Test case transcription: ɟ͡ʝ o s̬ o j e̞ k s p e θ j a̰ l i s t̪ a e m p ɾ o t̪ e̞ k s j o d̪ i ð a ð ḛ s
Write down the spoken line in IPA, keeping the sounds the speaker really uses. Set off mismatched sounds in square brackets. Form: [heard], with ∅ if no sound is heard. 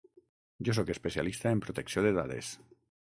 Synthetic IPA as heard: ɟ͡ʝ o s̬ o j e̞ [∅] s p e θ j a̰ l i s t̪ a e m p ɾ o t̪ e̞ k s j o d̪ [e] ð a ð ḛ s